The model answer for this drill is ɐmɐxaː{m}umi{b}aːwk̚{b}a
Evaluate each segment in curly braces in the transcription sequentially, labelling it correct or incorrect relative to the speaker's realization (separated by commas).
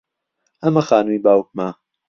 incorrect, correct, incorrect